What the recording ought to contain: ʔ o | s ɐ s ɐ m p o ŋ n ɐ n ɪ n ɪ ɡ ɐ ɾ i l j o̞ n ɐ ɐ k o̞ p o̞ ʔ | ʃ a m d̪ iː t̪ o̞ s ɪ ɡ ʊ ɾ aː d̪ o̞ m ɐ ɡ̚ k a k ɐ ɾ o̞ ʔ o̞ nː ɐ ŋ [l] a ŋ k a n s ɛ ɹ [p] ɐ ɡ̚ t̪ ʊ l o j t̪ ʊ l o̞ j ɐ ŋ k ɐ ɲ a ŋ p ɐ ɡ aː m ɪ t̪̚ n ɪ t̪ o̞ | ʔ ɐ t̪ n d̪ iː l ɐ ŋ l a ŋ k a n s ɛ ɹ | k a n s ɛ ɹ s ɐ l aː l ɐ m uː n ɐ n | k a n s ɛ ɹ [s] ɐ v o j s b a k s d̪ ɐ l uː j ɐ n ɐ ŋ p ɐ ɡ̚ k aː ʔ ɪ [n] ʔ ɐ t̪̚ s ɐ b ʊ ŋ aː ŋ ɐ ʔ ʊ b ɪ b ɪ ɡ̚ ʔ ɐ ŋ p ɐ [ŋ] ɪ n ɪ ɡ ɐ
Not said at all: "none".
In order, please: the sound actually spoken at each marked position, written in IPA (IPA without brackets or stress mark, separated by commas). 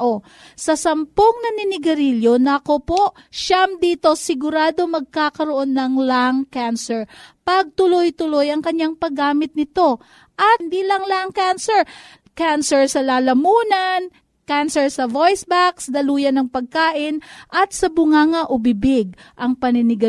l, p, s, n, n